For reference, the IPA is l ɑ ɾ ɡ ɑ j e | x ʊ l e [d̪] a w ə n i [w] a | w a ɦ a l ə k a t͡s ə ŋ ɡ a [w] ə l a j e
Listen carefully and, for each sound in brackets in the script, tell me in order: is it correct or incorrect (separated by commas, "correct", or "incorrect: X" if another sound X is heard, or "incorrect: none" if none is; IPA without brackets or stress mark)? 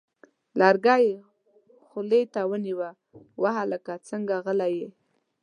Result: incorrect: t̪, correct, incorrect: ɣ